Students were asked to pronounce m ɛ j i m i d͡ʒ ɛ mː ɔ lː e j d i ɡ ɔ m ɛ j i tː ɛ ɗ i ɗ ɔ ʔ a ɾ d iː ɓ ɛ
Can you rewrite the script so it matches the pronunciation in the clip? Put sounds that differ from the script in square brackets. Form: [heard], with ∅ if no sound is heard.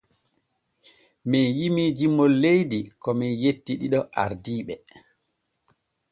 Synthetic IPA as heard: m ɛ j i m i d͡ʒ [i] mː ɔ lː e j d i [k] ɔ m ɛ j [e] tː [i] ɗ i ɗ ɔ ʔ a ɾ d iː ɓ ɛ